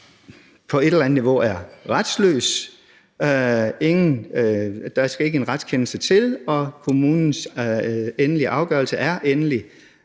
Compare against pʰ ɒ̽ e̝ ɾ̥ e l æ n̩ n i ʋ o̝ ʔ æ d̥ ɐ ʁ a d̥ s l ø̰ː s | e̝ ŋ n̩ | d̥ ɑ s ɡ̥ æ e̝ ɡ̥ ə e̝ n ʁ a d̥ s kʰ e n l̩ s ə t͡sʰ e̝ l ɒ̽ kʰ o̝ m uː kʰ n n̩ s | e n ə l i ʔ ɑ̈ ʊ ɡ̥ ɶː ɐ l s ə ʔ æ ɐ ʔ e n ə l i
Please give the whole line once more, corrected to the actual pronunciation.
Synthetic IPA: pʰ ɒ̽ e̝ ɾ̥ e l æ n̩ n i ʋ o̝ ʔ æ ɐ ʁ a d̥ s l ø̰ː s | e̝ ŋ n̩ | d̥ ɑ s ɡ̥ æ e̝ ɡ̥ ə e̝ n ʁ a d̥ s kʰ e n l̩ s ə t͡sʰ e̝ l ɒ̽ kʰ o̝ m uː n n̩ s | e n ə l i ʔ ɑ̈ ʊ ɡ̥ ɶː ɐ l s ə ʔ æ ɐ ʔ e n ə l i

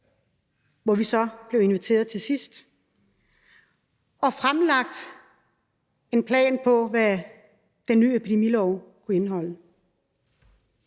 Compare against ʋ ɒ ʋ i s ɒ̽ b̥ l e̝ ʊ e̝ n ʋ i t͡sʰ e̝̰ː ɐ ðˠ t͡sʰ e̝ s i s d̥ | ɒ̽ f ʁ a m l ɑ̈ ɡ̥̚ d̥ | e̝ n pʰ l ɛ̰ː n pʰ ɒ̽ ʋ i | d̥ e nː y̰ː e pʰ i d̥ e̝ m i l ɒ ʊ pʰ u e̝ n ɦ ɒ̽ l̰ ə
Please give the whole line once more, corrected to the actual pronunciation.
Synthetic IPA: ʋ ɒ ʋ i s ɒ̽ b̥ l e̝ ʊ e̝ n ʋ i t͡sʰ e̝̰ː ɐ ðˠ t͡sʰ e̝ s i s d̥ | ɒ̽ f ʁ a m l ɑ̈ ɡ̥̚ d̥ | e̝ n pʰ l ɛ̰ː n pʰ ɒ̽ ʋ æ | d̥ e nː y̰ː e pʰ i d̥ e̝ m i l ɒ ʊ kʰ u e̝ n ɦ ɒ̽ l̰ ə

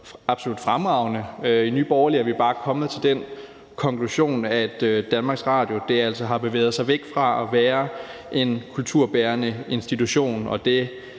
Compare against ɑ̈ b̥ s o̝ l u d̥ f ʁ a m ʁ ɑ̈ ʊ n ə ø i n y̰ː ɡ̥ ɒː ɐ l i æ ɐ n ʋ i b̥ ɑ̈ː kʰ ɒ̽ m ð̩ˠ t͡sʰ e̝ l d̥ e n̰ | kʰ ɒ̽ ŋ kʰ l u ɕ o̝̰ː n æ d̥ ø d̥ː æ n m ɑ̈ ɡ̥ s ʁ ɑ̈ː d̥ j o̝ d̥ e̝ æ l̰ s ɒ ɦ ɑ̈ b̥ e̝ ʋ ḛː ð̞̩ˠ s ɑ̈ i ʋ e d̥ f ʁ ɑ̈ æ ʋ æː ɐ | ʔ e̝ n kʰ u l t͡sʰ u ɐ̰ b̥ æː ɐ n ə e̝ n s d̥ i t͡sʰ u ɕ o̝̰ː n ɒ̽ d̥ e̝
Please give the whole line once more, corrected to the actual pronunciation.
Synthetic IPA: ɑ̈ b̥ s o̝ l u d̥ f ʁ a m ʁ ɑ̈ ʊ n ə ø i n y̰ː b̥ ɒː ɐ l i æ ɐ ʋ i b̥ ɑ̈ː kʰ ɒ̽ m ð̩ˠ t͡sʰ e̝ l d̥ e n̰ | kʰ ɒ̽ ŋ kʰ l u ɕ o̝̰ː n æ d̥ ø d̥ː æ n m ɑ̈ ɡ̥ s ʁ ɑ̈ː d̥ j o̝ d̥ e̝ æ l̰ s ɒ ɦ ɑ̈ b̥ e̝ ʋ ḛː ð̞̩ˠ s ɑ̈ ɪ ʋ e ɡ̥ f ʁ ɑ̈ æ ʋ æː ɐ | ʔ e̝ n kʰ u l t͡sʰ u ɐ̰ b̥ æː ɐ n ə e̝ n s d̥ i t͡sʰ u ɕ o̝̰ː n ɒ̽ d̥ e̝

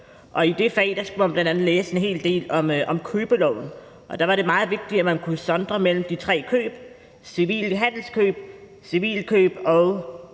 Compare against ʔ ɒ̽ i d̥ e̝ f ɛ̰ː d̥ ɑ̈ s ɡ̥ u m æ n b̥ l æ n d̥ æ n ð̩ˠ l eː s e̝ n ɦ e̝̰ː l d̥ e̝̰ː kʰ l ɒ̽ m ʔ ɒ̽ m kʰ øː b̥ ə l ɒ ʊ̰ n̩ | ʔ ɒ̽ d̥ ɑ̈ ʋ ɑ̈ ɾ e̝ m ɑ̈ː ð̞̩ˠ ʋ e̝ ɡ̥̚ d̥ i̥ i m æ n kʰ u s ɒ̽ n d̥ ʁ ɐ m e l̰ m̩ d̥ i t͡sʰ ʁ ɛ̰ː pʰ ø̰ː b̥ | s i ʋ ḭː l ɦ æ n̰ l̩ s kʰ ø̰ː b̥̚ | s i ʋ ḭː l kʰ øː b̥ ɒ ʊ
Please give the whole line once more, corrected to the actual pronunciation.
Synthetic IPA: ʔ ɒ̽ i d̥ e̝ f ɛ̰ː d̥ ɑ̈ s ɡ̥ u m æ n b̥ l æ n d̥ æ n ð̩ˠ l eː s e̝ n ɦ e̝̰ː l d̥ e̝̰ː l ɒ̽ m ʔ ɒ̽ m kʰ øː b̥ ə l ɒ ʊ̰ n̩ | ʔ ɒ̽ d̥ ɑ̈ ʋ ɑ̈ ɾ e̝ m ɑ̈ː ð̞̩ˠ ʋ e̝ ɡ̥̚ d̥ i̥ æ m æ n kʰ u s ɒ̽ n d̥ ʁ ɐ m e l̰ m̩ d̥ i t͡sʰ ʁ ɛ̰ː kʰ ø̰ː b̥ | s i ʋ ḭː l ɦ æ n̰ l̩ s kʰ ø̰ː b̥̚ | s i ʋ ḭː l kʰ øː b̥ ɒ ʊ

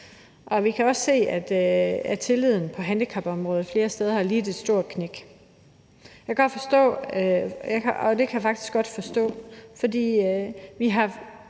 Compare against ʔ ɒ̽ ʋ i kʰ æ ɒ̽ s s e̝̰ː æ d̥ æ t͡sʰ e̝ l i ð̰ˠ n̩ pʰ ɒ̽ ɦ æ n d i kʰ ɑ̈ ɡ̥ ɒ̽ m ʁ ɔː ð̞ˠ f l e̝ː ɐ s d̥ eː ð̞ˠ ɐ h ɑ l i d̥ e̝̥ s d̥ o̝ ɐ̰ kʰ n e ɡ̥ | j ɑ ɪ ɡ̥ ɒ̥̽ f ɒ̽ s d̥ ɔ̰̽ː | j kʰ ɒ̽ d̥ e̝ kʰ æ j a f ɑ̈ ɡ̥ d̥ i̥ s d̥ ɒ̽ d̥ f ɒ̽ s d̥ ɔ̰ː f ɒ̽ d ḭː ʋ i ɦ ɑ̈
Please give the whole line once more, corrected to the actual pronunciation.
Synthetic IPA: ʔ ɒ̽ ʋ i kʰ æ ɒ̽ s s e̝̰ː æ d̥ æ t͡sʰ e̝ l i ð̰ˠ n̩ pʰ ɒ̽ ɦ æ n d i kʰ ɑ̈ b̥ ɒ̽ m ʁ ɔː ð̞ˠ f l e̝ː ɐ s d̥ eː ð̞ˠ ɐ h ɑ l iː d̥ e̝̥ s d̥ o̝ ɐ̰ kʰ n e ɡ̥ | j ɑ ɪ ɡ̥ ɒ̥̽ f ɒ̽ s d̥ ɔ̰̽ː | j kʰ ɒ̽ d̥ e̝ kʰ æ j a f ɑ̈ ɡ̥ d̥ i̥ s ɡ̥ ɒ̽ d̥ f ɒ̽ s d̥ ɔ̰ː f ɒ̽ d ḭː ʋ i ɦ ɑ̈

